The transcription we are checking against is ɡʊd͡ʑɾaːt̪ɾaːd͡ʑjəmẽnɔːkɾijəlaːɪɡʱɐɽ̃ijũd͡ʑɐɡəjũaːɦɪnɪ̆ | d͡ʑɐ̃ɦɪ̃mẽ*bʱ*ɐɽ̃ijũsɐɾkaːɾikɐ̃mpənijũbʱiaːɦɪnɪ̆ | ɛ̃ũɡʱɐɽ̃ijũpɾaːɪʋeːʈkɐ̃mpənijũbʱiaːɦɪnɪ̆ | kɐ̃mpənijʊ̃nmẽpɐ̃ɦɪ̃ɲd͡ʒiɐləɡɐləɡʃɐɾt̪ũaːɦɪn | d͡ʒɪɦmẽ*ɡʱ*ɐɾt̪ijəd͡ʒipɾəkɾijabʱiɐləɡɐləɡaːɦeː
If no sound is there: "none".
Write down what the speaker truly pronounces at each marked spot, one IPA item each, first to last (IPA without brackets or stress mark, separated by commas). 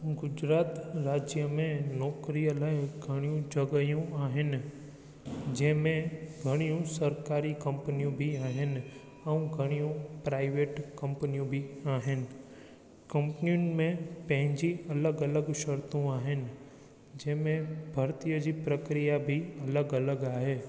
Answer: ɡʱ, bʱ